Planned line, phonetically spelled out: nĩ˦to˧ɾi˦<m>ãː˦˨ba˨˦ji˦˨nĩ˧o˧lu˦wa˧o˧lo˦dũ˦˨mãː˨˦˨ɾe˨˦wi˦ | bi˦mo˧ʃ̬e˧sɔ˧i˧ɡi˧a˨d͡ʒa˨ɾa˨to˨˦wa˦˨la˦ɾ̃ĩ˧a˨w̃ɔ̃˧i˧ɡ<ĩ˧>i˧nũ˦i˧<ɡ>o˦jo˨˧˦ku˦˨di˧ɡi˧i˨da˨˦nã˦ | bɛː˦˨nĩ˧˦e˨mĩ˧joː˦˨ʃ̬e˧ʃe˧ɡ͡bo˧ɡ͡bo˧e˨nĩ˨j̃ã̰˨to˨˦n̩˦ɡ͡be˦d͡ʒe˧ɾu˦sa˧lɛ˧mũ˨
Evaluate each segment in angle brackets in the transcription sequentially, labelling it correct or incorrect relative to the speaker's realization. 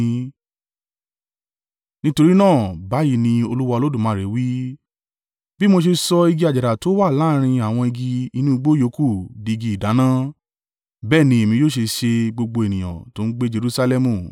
incorrect: n, incorrect: i˧, incorrect: ɡ͡b

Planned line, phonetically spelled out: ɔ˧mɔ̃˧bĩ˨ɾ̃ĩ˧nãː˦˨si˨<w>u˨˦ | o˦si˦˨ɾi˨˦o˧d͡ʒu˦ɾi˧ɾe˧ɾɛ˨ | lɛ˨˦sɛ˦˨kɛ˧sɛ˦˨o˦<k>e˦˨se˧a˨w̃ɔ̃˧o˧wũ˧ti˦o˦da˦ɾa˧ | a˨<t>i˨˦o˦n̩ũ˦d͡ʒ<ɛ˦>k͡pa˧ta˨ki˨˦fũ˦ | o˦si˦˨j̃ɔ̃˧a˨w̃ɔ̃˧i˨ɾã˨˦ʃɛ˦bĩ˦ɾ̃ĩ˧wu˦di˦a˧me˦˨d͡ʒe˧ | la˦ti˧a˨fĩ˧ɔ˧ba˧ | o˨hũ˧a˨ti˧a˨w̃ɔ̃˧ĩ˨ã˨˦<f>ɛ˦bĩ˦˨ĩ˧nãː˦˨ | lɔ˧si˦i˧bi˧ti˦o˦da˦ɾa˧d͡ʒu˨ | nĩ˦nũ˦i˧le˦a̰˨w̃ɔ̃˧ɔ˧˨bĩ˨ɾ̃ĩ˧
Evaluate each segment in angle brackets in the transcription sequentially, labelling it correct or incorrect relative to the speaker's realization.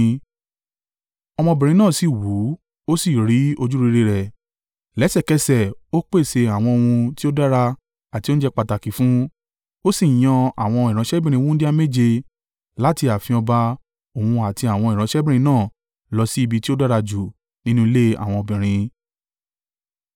correct, incorrect: k͡p, correct, correct, incorrect: ʃ

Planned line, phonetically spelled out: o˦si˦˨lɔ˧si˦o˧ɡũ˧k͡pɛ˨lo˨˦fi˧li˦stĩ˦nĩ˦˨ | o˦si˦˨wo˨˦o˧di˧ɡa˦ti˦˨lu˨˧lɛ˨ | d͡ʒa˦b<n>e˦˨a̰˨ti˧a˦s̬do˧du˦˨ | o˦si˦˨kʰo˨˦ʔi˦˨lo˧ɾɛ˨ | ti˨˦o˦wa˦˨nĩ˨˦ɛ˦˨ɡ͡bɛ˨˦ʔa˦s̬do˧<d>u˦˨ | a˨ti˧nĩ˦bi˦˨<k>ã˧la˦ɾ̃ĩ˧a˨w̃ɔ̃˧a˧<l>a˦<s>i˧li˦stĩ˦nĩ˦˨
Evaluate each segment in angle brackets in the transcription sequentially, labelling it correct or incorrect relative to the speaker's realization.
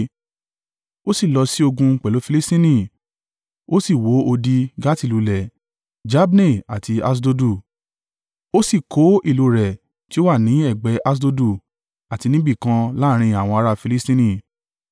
correct, correct, correct, incorrect: ɾ, incorrect: f

